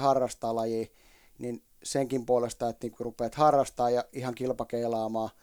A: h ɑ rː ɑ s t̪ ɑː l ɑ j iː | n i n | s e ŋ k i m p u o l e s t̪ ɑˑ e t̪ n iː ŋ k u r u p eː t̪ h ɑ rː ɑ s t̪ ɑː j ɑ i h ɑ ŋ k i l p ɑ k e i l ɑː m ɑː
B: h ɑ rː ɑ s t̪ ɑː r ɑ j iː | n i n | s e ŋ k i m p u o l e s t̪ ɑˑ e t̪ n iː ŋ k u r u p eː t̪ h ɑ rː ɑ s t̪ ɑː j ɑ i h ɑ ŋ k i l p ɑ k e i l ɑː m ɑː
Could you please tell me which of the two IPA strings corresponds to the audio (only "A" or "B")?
A